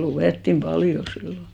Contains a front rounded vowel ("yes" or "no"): no